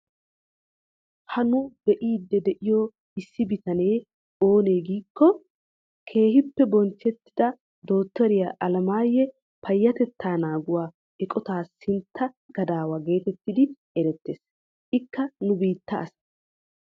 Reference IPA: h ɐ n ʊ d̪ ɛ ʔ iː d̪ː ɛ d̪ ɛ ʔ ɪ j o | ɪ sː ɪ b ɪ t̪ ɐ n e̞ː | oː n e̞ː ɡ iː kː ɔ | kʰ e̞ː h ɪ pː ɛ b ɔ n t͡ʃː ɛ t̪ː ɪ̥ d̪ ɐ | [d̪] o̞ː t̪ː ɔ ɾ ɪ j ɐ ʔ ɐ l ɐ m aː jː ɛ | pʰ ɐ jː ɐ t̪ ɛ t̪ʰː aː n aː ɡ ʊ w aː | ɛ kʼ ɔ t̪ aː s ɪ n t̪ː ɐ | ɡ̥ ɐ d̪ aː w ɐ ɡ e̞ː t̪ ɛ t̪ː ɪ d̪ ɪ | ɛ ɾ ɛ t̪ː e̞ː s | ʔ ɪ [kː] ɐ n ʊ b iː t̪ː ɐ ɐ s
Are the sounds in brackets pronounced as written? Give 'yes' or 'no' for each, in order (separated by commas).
yes, yes